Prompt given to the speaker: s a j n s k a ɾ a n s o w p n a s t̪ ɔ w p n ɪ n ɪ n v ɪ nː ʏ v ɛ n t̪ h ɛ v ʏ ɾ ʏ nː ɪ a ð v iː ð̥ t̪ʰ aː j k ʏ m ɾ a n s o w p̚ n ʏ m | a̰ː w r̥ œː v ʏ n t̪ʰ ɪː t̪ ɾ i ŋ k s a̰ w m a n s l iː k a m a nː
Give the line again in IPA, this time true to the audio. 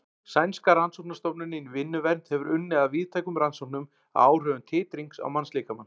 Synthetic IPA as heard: s a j n s k a ɾ a n s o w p n a s t̪ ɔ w p n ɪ n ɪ n v ɪ nː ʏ v ɛ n t̪ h ɛ v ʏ ɾ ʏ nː ɪ a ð v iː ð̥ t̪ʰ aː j k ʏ m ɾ a n s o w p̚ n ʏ m | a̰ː w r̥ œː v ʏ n t̪ʰ ɪː t̪ ɾ i ŋ k s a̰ w m a n s l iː k a m a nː